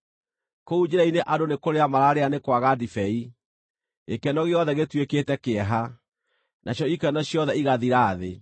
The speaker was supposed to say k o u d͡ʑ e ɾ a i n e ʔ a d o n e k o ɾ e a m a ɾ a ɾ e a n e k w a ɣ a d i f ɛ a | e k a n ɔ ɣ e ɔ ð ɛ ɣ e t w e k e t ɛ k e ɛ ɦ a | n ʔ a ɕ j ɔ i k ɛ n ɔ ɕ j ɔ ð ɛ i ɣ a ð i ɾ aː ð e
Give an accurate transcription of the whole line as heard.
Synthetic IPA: k o u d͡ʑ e ɾ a i n e ʔ a d o n e k o ɾ e a m a ɾ a ɾ e a n e k w a ɣ a d i f ɛ i | e k ɛ n ɔ ɣ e ɔ ð ɛ ɣ e t w e k e t ɛ k e ɛ ɦ a | n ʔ a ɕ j ɔ i k ɛ n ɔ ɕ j ɔ ð ɛ i ɣ a ð i ɾ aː ð e